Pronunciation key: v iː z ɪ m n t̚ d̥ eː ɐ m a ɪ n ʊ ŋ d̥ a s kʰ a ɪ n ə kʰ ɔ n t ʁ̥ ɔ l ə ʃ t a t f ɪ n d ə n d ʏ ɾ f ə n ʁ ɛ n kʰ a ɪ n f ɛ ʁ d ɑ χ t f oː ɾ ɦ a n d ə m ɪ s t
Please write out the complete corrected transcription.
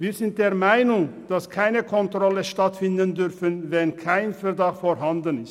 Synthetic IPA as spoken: v iː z ɪ n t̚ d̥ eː ɐ m a ɪ n ʊ ŋ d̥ a s kʰ a ɪ n ə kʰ ɔ n t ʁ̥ ɔ l ə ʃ t a t f ɪ n d ə n d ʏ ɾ f ə n v ɛ n kʰ a ɪ n f ɛ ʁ d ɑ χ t f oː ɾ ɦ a n d ə n ɪ s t